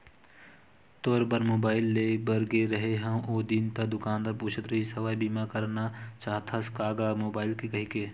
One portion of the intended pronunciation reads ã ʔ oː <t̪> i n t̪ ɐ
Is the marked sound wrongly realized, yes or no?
yes